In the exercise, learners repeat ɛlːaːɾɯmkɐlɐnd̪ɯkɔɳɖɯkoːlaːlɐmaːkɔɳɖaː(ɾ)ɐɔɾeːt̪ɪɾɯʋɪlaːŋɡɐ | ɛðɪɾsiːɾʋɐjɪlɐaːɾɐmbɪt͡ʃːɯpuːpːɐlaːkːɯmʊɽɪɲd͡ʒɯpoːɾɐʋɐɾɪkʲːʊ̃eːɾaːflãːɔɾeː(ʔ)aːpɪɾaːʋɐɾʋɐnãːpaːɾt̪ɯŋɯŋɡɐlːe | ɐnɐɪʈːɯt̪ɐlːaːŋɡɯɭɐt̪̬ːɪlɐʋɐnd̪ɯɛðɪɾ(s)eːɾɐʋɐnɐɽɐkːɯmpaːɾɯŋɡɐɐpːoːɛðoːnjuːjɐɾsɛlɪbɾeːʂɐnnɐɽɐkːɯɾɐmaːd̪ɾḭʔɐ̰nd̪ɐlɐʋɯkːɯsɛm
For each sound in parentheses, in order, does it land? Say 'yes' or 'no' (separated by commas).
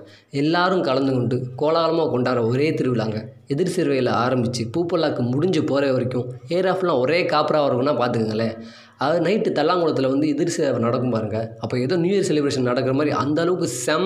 yes, no, yes